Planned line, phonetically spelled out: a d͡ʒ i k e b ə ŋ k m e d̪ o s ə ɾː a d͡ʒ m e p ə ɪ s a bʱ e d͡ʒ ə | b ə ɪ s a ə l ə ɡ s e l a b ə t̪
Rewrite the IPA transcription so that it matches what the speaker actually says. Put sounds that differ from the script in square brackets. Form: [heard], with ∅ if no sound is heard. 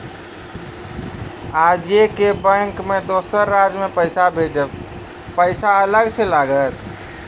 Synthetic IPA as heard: a d͡ʒ [e] k e b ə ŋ k m e d̪ o s ə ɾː a d͡ʒ m e p ə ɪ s a bʱ e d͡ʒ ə | [p] ə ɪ s a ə l ə ɡ s e l a [ɡ] ə t̪

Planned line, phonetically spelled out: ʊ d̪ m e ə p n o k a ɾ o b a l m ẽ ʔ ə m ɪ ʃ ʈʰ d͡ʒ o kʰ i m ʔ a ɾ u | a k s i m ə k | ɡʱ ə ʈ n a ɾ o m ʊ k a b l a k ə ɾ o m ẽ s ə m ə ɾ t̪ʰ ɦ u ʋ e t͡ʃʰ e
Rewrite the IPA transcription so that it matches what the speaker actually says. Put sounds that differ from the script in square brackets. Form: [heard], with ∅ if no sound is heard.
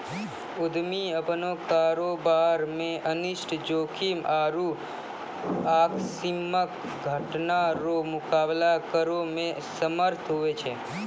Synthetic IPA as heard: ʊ d̪ m [i] ə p n o k a ɾ o b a [ɾ] m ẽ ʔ ə [n] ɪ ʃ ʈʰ d͡ʒ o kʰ i m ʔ a ɾ u | a k s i m ə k | ɡʱ ə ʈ n a ɾ o m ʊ k a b l a k ə ɾ o m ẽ s ə m ə ɾ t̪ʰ ɦ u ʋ e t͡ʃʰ e

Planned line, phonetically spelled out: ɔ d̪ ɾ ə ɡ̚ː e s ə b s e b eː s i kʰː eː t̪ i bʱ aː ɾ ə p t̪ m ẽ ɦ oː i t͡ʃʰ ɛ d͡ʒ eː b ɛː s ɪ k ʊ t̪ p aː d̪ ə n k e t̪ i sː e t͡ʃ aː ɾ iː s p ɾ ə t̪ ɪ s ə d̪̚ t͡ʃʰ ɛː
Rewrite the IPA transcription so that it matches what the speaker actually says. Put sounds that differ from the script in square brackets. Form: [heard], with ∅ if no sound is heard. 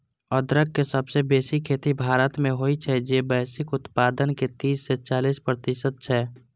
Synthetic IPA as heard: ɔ d̪ ɾ ə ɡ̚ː e s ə b s e b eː s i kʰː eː t̪ i bʱ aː ɾ ə [∅] t̪ m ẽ ɦ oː i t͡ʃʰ ɛ d͡ʒ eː b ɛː s ɪ k ʊ t̪ p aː d̪ ə n k e t̪ [iː] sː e t͡ʃ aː [l] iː s p ɾ ə t̪ ɪ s ə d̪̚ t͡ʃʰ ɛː

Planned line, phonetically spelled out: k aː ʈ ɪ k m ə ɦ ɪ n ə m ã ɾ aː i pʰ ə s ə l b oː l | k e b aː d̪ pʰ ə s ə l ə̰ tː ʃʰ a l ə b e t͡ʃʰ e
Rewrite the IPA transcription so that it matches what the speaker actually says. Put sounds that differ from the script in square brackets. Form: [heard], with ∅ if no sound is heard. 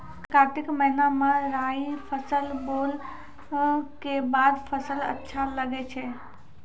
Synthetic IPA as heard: k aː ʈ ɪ k m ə ɦ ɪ n [a] m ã ɾ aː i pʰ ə s ə l b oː l | k e b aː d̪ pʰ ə s ə l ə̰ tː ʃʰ a l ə [ɡ] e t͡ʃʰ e

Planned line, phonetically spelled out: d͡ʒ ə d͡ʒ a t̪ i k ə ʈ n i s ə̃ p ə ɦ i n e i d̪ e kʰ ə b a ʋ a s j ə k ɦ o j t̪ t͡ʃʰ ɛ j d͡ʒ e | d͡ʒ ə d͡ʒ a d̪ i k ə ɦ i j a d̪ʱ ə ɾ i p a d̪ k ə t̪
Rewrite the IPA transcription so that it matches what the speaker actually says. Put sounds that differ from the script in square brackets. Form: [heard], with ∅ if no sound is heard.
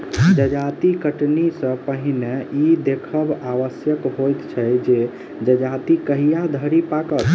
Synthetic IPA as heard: d͡ʒ ə d͡ʒ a t̪ i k ə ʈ n i s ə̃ p ə ɦ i n e i d̪ e kʰ ə b a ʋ [ə] s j ə k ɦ o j t̪ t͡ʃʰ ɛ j d͡ʒ e | d͡ʒ ə d͡ʒ a [t̪] i k ə ɦ i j a d̪ʱ ə ɾ i p a [∅] k ə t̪

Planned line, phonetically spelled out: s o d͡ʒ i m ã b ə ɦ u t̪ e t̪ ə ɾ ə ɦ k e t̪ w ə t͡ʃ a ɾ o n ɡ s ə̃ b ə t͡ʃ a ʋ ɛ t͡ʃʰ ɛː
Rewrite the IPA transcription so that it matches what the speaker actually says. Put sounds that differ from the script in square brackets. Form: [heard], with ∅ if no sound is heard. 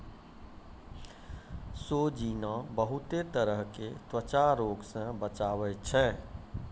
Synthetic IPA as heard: s o d͡ʒ i [n] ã b ə ɦ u t̪ e t̪ ə ɾ ə ɦ k e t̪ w ə t͡ʃ a ɾ o [∅] ɡ s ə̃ b ə t͡ʃ a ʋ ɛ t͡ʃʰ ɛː

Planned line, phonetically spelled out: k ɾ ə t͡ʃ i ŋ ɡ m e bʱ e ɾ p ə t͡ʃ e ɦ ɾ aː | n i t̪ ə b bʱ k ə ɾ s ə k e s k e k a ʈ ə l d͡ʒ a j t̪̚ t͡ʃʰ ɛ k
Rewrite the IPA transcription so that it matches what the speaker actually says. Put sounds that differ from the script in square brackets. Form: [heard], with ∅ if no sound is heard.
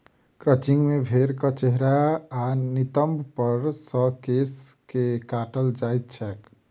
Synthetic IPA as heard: k ɾ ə t͡ʃ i ŋ ɡ m e bʱ e ɾ [k] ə t͡ʃ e ɦ ɾ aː | n i t̪ ə [m] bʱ [p] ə ɾ s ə k e s k e k a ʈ ə l d͡ʒ a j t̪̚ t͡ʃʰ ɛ k

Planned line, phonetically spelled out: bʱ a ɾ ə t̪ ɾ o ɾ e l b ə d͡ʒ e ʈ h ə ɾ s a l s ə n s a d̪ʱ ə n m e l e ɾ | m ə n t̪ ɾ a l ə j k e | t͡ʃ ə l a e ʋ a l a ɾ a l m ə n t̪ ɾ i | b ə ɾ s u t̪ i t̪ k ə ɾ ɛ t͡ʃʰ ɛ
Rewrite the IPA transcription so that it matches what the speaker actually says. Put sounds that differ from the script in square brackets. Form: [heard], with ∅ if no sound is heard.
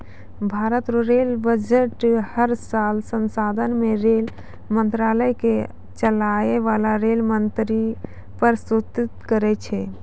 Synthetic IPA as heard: bʱ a ɾ ə t̪ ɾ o ɾ e l b ə d͡ʒ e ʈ h ə ɾ s a l s ə n s a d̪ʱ ə n m e [ɾ] e [l] | m ə n t̪ ɾ a l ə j k e | t͡ʃ ə l a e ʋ a l a ɾ [e] l m ə n t̪ ɾ i | [p] ə ɾ s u t̪ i t̪ k ə ɾ ɛ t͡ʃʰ ɛ

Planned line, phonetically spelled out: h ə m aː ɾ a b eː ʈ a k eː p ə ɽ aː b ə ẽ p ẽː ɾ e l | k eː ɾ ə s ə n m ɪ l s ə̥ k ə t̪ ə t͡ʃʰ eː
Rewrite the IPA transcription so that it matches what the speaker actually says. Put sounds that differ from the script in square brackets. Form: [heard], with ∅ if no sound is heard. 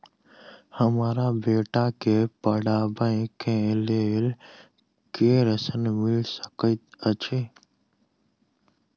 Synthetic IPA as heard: h ə m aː ɾ a b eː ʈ a k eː p ə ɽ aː b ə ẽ [k] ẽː [l] e l | k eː ɾ ə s ə n m ɪ l s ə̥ k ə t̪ ə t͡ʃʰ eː

